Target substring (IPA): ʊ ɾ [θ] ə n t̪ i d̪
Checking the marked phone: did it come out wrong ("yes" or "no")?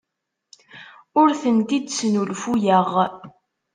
no